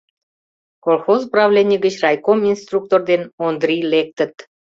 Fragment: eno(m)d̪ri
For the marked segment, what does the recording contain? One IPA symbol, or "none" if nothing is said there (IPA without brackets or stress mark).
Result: n